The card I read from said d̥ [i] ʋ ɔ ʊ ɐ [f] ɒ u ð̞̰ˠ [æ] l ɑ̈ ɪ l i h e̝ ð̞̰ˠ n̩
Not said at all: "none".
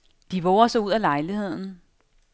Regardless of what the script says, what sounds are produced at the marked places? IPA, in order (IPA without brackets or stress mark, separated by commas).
i, s, æ